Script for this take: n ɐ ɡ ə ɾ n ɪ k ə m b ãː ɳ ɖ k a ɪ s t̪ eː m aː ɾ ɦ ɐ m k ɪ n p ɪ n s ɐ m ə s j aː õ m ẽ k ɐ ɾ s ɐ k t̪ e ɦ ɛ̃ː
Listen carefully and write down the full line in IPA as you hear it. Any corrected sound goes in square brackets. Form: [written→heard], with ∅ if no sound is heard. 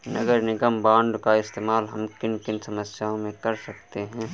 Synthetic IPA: n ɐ ɡ ə ɾ n ɪ [k→ɡ] ə m b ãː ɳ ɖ k a ɪ s t̪ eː m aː [ɾ→l] ɦ ɐ m k ɪ n [p→k] ɪ n s ɐ m ə s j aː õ m ẽ k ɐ ɾ s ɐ k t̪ e ɦ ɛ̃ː

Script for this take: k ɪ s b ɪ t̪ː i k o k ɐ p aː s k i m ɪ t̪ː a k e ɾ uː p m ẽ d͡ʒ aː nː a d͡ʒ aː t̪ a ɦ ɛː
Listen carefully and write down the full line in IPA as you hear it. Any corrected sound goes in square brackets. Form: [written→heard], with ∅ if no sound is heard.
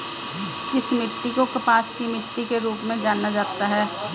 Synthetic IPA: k ɪ s [b→m] ɪ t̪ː i k o k ɐ p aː s k i m ɪ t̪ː [a→i] k e ɾ uː p m ẽ d͡ʒ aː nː a d͡ʒ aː t̪ a ɦ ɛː

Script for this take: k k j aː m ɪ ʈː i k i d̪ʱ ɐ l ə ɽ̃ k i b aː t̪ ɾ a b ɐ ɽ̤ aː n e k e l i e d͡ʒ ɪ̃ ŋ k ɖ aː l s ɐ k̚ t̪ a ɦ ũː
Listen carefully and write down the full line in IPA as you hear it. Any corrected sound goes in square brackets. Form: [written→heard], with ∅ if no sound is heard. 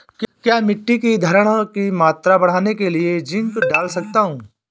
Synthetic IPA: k k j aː m ɪ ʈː i k i d̪ʱ ɐ [l→ɾ] ə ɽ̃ k i [b→m] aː t̪ ɾ a b ɐ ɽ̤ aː n e k e l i e d͡ʒ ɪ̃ ŋ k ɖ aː l s ɐ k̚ t̪ a ɦ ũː

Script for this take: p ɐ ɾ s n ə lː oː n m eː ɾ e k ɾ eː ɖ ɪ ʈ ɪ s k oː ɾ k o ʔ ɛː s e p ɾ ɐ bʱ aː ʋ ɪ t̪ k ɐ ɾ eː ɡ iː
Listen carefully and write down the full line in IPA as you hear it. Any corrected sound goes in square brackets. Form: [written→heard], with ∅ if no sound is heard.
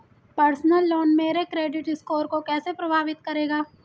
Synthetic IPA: p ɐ ɾ s n ə lː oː n m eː ɾ e k ɾ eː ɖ ɪ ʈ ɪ s k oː ɾ k o [ʔ→k] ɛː s e p ɾ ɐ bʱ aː ʋ ɪ t̪ k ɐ ɾ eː ɡ [iː→aː]

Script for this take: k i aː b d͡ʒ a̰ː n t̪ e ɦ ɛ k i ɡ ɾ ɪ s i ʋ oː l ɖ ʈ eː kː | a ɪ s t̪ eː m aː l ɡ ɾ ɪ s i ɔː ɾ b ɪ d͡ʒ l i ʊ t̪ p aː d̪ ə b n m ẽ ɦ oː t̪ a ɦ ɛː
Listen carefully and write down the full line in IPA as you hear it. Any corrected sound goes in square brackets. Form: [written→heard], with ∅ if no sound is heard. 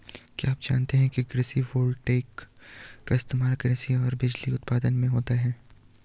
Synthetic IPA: k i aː [b→p] d͡ʒ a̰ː n t̪ e ɦ [ɛ→ɛ̃] k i ɡ ɾ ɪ s i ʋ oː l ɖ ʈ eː kː | a ɪ s t̪ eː m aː l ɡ ɾ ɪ s i ɔː ɾ b ɪ d͡ʒ l i ʊ t̪ p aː d̪ ə [b→∅] n m ẽ ɦ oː t̪ a ɦ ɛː

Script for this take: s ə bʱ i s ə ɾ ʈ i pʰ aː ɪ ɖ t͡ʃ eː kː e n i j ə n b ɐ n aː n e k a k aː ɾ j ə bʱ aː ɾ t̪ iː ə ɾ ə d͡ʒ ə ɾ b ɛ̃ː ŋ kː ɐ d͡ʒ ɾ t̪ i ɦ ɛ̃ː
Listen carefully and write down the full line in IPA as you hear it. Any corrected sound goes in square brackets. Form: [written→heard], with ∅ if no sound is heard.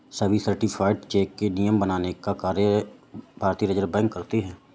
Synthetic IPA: s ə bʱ i s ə ɾ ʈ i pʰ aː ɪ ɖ t͡ʃ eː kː e n i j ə [n→m] b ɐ n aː n e k a k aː ɾ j ə bʱ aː ɾ t̪ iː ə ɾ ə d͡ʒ ə ɾ b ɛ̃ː ŋ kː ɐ [d͡ʒ→∅] ɾ t̪ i ɦ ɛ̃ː

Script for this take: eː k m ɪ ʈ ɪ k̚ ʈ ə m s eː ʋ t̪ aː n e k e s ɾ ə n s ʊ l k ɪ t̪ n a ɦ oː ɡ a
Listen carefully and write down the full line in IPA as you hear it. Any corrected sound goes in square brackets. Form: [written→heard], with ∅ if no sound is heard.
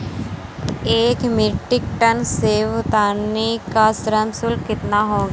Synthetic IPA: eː k m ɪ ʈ ɪ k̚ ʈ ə [m→n] s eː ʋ t̪ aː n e k [e→a] s ɾ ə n s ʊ l k ɪ t̪ n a ɦ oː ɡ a

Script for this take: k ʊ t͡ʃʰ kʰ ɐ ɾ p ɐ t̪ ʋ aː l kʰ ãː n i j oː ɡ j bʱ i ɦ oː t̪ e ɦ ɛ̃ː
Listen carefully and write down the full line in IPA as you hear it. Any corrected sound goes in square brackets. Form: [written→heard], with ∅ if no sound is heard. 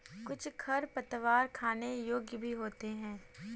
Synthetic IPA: k ʊ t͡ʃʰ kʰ ɐ ɾ p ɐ t̪ ʋ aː [l→ɾ] kʰ [ãː→aː] n [i→e] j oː ɡ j bʱ i ɦ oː t̪ e ɦ ɛ̃ː

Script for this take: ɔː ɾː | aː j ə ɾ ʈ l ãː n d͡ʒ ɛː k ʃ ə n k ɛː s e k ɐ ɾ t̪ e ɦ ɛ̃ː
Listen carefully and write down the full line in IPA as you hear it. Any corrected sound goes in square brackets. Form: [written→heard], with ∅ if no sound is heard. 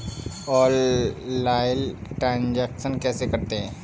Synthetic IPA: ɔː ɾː | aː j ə [ɾ→l] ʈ [l→ɾ] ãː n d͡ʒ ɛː k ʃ ə n k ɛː s e k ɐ ɾ t̪ e ɦ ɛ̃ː

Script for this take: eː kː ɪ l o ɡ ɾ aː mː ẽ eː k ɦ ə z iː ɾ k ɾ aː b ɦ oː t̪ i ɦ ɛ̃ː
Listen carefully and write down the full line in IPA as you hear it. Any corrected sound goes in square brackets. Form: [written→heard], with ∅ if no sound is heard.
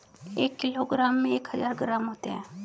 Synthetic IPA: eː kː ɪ l o ɡ ɾ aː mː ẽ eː k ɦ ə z [iː→aː] ɾ [k→ɡ] ɾ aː [b→m] ɦ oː t̪ [i→e] ɦ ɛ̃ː

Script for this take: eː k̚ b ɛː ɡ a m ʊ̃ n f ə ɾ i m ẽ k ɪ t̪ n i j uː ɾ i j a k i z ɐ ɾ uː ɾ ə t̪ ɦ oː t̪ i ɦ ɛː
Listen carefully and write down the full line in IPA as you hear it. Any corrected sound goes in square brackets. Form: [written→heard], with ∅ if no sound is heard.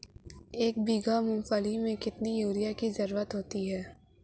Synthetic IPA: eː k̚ b [ɛː→iː] ɡ a m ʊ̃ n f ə [ɾ→l] i m ẽ k ɪ t̪ n i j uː ɾ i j a k i z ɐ ɾ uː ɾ ə t̪ ɦ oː t̪ i ɦ ɛː

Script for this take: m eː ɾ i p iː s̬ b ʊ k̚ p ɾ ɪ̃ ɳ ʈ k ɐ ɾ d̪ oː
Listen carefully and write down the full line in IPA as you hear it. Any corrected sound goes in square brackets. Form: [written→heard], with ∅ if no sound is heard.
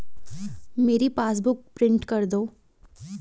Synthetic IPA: m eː ɾ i p [iː→aː] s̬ b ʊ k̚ p ɾ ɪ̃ ɳ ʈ k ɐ ɾ d̪ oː

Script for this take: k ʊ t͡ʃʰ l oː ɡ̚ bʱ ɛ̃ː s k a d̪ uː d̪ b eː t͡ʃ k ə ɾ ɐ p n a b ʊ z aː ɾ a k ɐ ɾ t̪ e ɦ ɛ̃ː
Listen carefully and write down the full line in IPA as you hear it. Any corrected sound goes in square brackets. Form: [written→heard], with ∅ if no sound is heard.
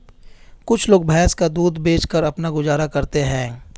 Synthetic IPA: k ʊ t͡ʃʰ l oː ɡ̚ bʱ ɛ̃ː s k a d̪ uː d̪ b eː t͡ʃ k ə ɾ ɐ p n a [b→ɡ] ʊ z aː ɾ a k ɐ ɾ t̪ e ɦ ɛ̃ː

